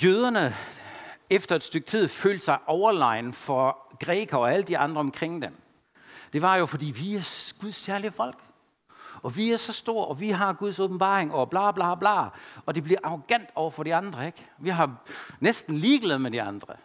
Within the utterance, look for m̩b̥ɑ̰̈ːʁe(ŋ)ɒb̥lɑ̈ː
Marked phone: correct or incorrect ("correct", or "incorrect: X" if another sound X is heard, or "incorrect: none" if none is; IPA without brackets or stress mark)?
correct